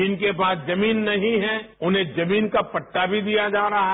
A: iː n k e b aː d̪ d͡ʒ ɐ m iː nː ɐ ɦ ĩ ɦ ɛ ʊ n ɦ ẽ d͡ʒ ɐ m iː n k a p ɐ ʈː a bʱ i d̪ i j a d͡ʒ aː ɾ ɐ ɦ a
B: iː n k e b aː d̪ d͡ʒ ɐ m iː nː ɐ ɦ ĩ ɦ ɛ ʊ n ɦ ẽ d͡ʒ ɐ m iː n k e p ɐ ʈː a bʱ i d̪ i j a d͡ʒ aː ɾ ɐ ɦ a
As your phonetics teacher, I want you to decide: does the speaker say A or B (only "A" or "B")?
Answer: A